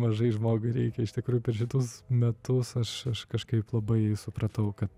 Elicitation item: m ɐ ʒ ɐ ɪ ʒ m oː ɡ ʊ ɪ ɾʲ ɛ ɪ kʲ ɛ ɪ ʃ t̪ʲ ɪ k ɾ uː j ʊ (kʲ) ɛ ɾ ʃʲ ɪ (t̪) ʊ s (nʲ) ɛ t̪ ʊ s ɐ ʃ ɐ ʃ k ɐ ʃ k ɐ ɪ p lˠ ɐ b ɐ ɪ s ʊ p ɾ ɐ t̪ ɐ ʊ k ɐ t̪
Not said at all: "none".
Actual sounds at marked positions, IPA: pʲ, t̪, mʲ

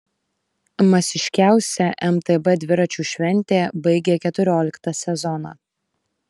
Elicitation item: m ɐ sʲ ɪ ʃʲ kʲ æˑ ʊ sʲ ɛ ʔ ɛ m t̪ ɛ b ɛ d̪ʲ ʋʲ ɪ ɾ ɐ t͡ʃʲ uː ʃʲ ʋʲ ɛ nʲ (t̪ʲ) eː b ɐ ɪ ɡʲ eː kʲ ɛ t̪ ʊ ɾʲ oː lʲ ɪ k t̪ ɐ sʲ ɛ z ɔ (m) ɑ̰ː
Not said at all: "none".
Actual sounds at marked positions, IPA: t̪ʲ, n

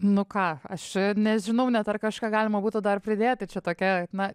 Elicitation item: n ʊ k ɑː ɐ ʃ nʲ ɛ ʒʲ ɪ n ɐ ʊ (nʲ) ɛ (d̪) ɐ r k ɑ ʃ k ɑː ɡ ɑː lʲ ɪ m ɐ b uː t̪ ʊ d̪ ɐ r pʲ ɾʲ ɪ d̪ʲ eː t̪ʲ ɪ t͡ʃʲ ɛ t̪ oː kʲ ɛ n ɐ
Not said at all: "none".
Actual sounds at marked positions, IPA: nʲ, t̪

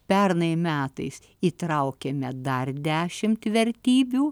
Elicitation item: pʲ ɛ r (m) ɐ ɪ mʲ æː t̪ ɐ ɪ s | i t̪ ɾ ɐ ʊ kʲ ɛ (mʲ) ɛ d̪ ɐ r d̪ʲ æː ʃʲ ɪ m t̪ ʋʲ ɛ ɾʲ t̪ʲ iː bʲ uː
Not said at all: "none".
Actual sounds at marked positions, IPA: n, mʲ

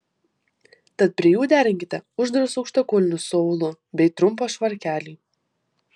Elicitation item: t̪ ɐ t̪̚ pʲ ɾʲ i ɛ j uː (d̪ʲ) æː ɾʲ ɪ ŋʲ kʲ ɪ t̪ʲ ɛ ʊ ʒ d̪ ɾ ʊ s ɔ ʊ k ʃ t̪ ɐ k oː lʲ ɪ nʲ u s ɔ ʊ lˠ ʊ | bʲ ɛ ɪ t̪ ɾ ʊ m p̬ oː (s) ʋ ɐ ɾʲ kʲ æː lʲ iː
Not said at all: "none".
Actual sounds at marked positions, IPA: d̪ʲ, ʃ

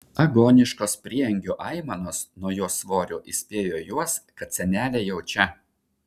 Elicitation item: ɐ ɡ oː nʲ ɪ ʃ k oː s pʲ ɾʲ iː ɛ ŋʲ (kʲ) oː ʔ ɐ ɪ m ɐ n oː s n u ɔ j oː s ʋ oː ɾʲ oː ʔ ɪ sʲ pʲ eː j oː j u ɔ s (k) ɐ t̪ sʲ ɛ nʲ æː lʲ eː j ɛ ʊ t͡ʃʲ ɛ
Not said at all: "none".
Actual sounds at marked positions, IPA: ɡʲ, k

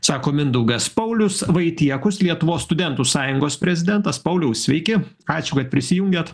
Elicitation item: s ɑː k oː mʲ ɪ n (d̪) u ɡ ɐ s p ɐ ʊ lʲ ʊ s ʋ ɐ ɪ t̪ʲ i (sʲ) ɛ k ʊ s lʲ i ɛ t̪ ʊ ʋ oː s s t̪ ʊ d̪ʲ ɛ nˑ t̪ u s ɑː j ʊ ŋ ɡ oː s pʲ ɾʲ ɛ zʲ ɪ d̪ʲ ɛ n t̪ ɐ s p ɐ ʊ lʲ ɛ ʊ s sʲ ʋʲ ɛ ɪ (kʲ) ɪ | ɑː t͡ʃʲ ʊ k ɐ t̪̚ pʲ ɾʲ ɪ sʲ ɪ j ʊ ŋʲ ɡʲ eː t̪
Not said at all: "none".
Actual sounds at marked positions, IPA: d̪, none, kʲ

